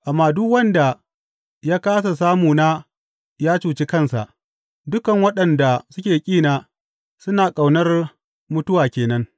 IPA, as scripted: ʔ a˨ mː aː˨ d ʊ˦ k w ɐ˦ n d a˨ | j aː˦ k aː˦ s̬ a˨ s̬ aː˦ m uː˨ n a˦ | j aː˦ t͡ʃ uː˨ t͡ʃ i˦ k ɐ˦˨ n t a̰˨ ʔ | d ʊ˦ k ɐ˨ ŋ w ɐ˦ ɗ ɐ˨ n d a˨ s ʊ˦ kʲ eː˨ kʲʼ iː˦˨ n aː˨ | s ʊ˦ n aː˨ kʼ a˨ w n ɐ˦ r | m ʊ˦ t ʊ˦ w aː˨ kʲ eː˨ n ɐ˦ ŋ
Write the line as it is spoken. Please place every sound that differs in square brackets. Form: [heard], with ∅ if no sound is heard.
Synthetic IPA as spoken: ʔ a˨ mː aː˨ d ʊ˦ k w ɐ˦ n d a˨ | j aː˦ k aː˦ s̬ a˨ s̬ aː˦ m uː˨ n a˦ | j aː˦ t͡ʃ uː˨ t͡ʃ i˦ k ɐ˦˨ n [s] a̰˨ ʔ | d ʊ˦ k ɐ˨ ŋ w ɐ˦ ɗ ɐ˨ n d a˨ s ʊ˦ kʲ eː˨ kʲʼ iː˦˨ n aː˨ | s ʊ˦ n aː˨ kʼ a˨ w n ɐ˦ r | m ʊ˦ t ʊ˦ w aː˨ kʲ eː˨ n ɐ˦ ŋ

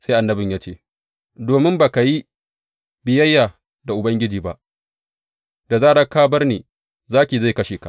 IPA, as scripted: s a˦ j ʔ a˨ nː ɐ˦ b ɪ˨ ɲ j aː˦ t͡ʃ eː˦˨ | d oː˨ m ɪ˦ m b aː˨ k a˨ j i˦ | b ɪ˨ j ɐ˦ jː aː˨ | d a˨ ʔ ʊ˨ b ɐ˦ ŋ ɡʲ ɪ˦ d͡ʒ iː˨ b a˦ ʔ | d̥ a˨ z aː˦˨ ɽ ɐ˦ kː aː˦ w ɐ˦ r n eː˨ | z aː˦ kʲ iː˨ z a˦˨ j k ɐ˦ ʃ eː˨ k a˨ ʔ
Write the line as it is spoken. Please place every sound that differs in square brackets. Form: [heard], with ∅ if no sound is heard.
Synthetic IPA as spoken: s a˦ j ʔ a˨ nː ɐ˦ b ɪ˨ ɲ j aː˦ t͡ʃ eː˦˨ | d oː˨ m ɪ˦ m b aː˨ k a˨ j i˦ | b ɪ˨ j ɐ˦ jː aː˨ | d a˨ ʔ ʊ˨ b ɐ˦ ŋ ɡʲ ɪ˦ d͡ʒ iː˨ b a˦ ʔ | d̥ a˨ z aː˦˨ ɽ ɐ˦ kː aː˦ [b] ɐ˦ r n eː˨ | z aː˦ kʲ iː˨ z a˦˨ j k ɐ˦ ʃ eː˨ k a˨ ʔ

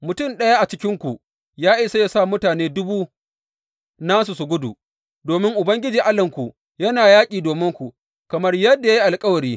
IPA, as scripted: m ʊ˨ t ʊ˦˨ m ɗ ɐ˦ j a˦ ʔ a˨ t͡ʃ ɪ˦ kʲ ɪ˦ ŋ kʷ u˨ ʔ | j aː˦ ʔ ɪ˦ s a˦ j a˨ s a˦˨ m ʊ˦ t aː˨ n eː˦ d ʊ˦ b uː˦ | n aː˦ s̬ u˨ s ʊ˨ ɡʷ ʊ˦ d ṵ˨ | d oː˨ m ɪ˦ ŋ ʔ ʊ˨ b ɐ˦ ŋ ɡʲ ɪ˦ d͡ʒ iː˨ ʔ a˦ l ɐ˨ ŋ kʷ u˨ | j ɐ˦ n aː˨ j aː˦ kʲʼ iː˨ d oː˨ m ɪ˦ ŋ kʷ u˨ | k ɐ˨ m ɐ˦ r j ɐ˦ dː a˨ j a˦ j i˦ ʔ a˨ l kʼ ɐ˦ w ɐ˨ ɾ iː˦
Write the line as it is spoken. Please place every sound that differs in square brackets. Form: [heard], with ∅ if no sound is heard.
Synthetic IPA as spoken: m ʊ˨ t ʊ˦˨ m ɗ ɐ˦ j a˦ ʔ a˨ t͡ʃ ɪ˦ kʲ ɪ˦ ŋ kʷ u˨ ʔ | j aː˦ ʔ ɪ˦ s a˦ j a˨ s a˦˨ m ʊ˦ t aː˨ n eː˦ d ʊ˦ b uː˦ | n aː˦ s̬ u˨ s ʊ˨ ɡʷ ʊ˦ d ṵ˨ | d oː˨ m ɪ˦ ŋ ʔ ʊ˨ b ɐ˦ ŋ ɡʲ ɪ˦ d͡ʒ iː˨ ʔ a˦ l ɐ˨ ŋ kʷ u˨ | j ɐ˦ n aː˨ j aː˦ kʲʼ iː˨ d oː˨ m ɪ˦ ŋ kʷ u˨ | k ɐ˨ m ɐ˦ r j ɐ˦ dː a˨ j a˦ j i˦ ʔ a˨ l kʼ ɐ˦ w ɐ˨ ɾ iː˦

